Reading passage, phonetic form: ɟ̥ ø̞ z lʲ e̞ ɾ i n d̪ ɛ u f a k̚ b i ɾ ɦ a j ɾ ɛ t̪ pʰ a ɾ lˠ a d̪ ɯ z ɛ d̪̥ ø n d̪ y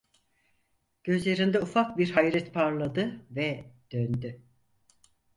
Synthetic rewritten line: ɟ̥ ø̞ z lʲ e̞ ɾ i n d̪ ɛ u f a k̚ b i ɾ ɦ a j ɾ ɛ t̪ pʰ a ɾ lˠ a d̪ ɯ v ɛ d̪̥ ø n d̪ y